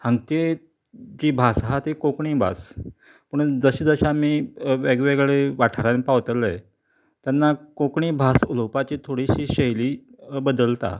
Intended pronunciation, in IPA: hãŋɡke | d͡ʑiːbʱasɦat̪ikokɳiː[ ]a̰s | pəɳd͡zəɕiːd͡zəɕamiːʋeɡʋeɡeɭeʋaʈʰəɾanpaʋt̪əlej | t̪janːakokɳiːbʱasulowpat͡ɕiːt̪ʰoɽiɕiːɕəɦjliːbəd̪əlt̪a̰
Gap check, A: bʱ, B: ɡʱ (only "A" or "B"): A